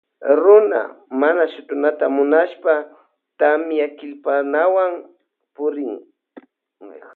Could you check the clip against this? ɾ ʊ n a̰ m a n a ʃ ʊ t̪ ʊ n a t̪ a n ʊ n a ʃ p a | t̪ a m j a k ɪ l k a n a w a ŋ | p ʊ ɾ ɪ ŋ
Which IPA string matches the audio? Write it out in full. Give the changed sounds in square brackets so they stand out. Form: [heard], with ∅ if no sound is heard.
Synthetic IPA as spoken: ɾ ʊ n a̰ m a n a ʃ ʊ t̪ ʊ n a t̪ a [m] ʊ n a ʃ p a | t̪ a m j a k ɪ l [p] a n a w a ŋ | p ʊ ɾ ɪ ŋ